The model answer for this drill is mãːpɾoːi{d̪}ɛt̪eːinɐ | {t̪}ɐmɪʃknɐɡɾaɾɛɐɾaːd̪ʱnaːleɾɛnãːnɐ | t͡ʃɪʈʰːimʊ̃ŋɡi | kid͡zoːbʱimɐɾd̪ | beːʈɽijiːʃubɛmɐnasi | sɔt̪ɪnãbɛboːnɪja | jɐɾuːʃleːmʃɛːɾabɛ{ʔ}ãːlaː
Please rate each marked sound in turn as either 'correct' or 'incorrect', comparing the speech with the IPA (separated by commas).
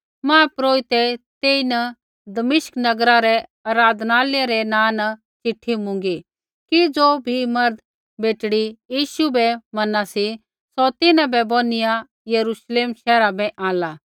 incorrect, incorrect, correct